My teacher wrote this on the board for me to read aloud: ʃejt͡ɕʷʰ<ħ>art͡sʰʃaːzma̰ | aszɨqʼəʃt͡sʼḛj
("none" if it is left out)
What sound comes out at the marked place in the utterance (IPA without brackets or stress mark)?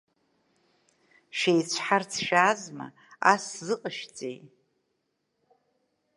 ħ